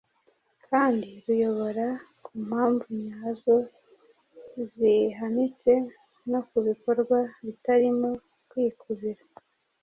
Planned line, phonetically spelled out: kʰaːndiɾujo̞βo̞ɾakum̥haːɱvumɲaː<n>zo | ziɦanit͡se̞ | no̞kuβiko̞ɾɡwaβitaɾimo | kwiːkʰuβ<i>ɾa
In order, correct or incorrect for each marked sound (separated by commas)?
incorrect, correct